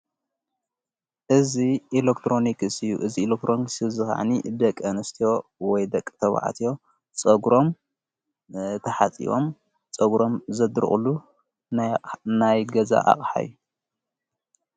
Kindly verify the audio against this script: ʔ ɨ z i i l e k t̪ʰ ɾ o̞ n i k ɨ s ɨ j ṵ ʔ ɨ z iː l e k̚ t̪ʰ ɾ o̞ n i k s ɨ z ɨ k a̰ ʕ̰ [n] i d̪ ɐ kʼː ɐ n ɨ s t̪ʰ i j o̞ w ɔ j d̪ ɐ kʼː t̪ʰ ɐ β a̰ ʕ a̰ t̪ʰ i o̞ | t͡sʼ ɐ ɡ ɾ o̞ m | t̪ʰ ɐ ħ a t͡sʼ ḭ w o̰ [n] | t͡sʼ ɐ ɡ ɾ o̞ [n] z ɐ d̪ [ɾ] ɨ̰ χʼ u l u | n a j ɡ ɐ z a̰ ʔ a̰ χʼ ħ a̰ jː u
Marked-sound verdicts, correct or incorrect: correct, incorrect, incorrect, correct

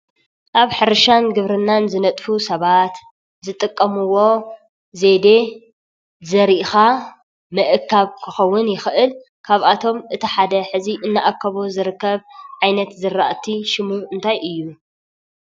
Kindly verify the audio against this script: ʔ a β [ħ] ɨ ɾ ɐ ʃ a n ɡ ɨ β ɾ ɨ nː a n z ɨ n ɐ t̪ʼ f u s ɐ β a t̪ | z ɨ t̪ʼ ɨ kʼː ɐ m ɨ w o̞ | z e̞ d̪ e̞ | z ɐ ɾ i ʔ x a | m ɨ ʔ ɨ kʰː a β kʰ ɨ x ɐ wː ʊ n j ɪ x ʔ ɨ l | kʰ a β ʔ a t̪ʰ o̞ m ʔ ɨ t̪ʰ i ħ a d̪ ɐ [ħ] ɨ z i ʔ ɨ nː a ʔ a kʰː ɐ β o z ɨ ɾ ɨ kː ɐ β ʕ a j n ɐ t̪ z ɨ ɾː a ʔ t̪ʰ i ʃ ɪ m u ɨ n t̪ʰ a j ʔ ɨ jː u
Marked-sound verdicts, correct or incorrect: correct, correct

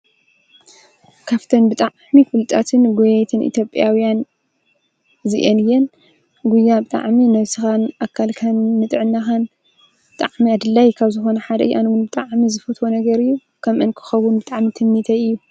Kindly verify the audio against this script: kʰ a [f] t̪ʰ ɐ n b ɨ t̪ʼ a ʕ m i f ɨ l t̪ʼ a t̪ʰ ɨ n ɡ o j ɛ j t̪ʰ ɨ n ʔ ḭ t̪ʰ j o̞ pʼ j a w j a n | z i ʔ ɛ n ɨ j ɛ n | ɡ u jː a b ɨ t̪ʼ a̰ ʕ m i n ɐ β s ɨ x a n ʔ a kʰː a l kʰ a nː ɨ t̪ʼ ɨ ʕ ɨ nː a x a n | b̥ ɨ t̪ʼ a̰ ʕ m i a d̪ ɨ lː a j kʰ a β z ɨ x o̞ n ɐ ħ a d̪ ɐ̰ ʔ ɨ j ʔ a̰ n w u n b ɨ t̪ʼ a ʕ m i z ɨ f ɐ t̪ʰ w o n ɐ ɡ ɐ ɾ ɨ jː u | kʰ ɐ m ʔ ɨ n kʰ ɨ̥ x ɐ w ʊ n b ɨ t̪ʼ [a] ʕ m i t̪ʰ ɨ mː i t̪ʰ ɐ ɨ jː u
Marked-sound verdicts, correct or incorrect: correct, correct

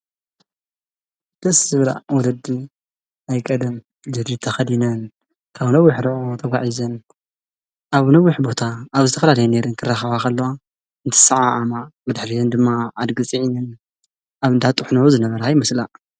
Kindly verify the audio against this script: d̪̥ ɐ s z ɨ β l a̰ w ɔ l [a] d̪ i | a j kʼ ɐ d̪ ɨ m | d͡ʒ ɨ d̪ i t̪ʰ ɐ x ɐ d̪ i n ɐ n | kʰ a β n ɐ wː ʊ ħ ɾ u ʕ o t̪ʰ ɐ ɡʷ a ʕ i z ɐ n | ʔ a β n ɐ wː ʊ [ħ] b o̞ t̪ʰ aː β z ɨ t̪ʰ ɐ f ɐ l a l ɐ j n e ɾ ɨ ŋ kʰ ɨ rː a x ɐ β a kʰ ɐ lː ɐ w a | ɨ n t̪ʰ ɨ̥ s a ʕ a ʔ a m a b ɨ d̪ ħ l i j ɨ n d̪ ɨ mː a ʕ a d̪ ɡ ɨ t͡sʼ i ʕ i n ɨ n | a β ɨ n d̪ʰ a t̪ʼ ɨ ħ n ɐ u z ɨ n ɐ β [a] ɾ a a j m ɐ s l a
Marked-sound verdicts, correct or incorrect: incorrect, correct, incorrect

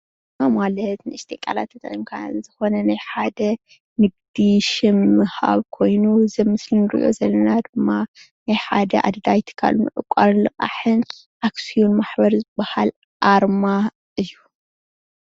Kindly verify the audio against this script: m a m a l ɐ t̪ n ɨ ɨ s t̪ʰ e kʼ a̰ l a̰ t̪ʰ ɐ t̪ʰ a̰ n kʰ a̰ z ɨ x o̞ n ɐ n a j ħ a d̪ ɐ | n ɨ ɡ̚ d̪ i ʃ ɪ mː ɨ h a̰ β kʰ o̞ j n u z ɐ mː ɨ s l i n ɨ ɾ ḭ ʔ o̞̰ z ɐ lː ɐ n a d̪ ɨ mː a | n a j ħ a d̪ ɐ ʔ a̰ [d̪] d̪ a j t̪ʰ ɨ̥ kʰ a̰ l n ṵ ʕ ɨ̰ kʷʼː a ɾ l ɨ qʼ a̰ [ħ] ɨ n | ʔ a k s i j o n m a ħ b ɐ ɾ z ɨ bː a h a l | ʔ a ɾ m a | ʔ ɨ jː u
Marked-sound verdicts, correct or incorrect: correct, correct

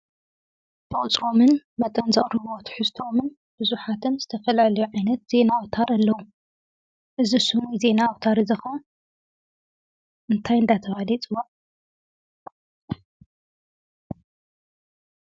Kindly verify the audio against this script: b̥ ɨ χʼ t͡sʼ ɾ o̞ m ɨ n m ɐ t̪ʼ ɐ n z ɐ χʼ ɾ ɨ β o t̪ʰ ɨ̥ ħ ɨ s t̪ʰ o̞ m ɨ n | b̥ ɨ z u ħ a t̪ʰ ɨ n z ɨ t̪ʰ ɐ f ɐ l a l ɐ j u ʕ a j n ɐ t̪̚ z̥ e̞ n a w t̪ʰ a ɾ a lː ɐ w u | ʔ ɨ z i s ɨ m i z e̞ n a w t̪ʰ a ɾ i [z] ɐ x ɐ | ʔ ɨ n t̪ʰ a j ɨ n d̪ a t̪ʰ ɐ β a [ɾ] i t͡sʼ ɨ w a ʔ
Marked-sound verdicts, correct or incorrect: correct, incorrect

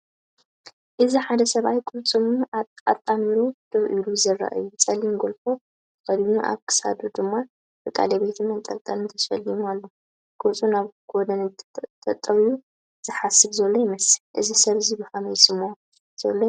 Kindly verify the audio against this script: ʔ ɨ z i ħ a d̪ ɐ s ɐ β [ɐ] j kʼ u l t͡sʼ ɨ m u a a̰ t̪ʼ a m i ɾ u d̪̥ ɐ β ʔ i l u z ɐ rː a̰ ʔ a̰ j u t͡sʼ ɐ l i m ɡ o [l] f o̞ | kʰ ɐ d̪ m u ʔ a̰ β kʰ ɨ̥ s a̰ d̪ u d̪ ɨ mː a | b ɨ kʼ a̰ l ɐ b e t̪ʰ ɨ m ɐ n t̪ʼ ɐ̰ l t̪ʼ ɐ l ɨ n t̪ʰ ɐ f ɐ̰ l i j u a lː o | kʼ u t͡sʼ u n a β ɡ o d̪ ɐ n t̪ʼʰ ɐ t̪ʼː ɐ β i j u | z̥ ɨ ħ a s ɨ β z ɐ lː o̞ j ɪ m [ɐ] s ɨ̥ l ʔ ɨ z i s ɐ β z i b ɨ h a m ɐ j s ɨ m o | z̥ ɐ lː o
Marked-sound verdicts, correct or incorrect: incorrect, correct, correct

